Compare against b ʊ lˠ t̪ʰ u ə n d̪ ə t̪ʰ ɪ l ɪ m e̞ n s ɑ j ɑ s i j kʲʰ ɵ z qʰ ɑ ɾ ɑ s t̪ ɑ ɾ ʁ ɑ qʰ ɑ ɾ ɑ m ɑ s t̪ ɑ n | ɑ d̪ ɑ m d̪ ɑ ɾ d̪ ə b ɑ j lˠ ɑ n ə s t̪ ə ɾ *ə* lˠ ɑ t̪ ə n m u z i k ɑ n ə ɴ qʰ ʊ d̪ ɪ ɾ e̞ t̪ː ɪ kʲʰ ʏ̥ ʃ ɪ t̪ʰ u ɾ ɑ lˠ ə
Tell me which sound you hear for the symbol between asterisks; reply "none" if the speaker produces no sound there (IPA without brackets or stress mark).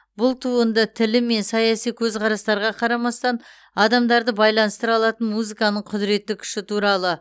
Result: ɑ